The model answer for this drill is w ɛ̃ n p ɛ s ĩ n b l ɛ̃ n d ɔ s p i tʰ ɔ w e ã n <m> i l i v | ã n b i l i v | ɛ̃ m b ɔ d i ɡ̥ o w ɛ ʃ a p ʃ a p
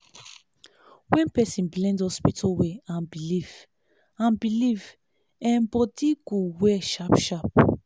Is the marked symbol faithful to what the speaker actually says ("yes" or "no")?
no